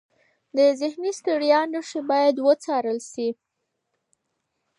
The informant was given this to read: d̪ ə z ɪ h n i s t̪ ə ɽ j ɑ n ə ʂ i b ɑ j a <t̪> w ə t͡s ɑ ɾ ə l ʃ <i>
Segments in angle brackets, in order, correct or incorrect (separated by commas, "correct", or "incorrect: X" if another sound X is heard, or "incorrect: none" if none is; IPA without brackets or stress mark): incorrect: d̪, correct